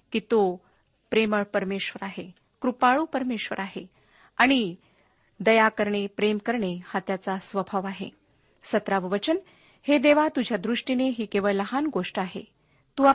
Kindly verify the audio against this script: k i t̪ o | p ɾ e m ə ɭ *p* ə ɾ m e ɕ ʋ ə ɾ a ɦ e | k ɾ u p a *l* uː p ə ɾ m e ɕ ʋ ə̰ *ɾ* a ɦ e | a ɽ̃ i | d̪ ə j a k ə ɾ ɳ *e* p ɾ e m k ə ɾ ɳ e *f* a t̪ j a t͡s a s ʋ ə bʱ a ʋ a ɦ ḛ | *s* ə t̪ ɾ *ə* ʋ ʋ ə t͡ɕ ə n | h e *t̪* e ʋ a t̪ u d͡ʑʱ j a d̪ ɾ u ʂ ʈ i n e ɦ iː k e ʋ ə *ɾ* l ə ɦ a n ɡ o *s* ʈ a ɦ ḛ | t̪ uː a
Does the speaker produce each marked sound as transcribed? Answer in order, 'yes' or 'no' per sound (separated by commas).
yes, no, yes, yes, no, yes, no, no, no, no